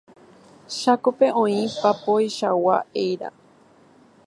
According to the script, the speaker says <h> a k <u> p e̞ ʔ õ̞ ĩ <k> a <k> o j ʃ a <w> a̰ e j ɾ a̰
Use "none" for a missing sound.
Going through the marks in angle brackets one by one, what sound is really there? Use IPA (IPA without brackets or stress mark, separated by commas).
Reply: ʃ, o, p, p, w